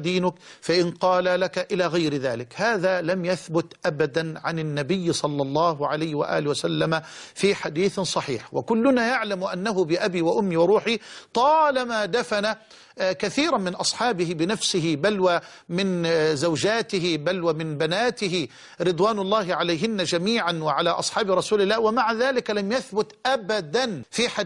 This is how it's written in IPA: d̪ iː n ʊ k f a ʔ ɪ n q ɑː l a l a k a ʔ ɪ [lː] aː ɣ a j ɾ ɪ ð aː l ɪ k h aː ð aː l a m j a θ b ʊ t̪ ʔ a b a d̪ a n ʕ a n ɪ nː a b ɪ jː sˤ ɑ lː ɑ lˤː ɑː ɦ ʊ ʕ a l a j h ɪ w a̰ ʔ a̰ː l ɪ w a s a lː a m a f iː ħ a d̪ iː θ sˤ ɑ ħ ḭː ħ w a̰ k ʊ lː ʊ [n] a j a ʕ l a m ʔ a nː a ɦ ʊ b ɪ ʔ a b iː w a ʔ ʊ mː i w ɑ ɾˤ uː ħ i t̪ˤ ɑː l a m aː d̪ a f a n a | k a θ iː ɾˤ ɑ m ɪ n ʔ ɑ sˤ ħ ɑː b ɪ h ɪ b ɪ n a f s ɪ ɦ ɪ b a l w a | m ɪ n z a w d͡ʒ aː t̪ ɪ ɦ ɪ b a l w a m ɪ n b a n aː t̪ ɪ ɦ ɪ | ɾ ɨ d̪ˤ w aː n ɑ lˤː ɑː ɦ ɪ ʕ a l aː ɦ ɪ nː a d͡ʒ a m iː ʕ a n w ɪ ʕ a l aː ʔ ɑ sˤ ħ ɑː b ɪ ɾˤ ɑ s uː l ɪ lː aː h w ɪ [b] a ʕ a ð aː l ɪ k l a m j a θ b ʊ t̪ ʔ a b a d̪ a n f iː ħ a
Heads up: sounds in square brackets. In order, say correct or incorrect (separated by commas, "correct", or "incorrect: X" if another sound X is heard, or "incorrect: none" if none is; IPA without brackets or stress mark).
incorrect: l, correct, incorrect: m